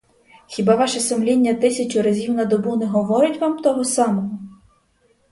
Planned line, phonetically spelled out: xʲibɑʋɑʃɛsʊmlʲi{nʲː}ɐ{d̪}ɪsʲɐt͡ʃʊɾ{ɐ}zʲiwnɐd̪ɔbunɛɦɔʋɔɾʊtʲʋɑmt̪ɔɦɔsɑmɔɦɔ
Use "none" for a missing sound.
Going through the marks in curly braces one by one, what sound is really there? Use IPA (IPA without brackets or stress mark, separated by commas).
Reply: nʲː, t̪, ɐ